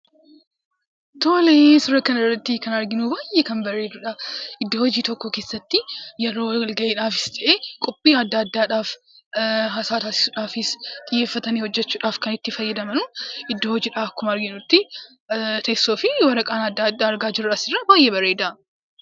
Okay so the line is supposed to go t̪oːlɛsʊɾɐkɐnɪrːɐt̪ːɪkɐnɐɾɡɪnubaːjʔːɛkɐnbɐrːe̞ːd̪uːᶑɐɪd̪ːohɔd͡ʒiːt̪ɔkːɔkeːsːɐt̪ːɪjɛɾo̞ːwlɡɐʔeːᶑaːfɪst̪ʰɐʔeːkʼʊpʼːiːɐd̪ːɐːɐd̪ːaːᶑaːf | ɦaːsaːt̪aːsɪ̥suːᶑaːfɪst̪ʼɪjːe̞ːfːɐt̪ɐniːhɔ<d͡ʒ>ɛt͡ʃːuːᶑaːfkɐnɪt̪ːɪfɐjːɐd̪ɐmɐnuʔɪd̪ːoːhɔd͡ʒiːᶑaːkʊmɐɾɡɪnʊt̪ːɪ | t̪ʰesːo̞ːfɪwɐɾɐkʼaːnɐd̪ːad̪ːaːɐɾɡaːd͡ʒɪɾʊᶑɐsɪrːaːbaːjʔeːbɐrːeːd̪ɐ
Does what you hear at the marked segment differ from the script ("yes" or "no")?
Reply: yes